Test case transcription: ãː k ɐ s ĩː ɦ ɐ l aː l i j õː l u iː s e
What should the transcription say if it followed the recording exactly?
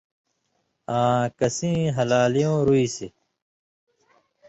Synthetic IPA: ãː k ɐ s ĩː ɦ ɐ l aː l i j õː ɾ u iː s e